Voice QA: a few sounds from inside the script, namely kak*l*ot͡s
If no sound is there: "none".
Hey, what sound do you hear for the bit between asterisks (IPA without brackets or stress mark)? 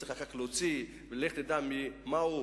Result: l